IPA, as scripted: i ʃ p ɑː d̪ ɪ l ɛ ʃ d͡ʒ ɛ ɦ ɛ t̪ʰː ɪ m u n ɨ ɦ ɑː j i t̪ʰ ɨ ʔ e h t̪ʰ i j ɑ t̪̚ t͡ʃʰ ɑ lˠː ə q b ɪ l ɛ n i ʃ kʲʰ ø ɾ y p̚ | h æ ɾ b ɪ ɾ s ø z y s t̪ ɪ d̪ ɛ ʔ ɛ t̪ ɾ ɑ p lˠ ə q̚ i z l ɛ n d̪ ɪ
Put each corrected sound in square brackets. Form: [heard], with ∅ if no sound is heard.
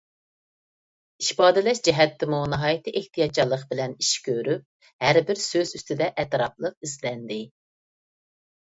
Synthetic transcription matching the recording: i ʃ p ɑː d̪ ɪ l ɛ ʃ d͡ʒ ɛ ɦ ɛ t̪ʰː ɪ m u n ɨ ɦ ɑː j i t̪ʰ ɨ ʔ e h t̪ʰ i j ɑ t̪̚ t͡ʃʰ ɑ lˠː ə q b ɪ l ɛ n i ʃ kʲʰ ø ɾ y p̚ | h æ ɾ b ɪ ɾ s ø z y s t̪ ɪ d̪ ɛ ʔ ɛ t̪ ɾ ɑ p lˠ ə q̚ i z l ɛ n d̪ ɪ